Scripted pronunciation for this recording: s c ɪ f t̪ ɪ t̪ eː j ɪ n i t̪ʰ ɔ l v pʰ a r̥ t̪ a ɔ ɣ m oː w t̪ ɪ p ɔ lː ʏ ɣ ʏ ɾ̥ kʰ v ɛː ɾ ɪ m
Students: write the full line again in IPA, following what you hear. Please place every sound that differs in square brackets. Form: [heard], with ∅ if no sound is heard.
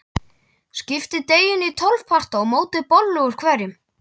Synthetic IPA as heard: s c ɪ f t̪ ɪ t̪ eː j ɪ n i t̪ʰ ɔ l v pʰ a r̥ t̪ a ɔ ɣ m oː w t̪ ɪ p ɔ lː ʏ ɣ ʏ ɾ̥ kʰ v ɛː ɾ ɪ m